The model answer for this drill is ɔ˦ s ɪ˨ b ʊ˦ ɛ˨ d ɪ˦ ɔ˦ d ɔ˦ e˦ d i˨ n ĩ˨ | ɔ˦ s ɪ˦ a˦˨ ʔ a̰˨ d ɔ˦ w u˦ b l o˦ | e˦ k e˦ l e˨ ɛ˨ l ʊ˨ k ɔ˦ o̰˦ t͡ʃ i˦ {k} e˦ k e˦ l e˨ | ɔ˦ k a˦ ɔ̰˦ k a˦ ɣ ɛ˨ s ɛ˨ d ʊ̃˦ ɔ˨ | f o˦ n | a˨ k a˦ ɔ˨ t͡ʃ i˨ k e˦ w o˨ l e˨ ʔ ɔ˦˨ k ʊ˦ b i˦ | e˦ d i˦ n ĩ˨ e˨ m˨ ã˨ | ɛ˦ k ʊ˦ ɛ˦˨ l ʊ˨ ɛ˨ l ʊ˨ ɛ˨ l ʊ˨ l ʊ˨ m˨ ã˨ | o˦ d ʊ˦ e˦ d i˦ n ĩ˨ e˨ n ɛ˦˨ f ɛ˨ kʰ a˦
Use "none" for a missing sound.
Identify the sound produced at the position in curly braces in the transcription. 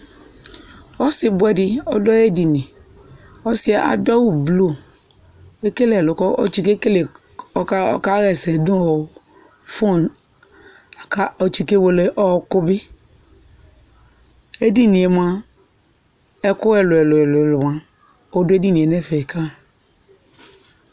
k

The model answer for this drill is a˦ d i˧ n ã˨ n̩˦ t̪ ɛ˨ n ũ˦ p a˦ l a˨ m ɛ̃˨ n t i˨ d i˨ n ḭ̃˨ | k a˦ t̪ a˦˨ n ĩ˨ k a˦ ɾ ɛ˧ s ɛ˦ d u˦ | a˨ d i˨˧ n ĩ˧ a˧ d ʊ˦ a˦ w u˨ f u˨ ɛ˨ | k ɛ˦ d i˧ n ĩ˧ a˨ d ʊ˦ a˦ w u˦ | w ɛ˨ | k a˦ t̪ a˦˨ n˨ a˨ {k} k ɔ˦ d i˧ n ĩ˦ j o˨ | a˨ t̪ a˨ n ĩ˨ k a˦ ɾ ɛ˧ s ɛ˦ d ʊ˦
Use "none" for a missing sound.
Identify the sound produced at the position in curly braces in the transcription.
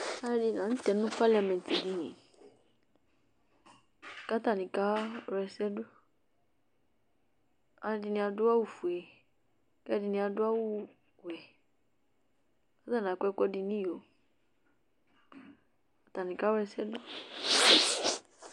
k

